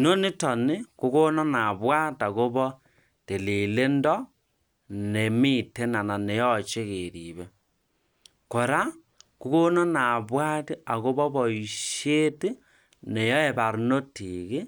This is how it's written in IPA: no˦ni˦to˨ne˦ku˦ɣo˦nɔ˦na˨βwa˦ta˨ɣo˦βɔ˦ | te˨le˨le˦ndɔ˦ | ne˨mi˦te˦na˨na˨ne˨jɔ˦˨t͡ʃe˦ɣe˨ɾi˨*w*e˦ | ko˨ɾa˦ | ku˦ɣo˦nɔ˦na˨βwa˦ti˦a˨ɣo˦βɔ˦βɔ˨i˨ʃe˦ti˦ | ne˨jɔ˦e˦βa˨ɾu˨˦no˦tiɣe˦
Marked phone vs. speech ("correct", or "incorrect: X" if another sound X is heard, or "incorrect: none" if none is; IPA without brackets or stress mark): incorrect: β